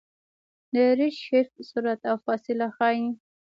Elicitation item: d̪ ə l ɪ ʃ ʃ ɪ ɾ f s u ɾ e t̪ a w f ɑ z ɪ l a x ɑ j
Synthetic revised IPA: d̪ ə ɾ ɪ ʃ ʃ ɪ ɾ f s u ɾ a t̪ a w f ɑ s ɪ l a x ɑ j